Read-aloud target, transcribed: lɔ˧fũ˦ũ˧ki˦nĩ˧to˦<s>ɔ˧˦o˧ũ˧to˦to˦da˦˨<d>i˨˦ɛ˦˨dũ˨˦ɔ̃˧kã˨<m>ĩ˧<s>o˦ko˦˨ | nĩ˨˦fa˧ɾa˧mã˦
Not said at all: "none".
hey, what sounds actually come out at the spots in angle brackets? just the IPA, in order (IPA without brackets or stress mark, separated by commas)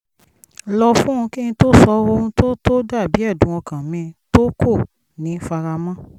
s, b, m, t